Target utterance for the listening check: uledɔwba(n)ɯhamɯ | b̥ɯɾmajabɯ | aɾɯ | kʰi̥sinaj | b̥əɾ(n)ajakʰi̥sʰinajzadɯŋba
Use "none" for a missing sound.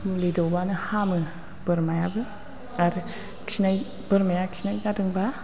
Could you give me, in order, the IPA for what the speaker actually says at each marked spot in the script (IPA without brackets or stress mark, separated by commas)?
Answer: n, m